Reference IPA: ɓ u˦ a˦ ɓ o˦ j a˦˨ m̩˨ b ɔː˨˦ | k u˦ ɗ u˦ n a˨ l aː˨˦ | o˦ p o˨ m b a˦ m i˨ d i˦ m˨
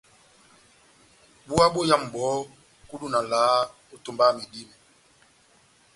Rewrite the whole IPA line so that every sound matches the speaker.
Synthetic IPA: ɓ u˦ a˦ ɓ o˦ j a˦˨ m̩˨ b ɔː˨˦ | k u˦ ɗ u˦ n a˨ l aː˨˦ | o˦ t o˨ m b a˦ m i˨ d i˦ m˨